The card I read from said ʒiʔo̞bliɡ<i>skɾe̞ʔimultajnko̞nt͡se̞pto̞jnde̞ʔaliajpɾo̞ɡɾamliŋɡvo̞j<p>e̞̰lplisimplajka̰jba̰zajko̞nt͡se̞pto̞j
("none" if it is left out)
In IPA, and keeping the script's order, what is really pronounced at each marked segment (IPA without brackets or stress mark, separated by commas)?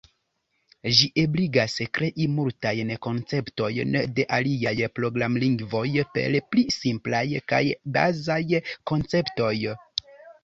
a, p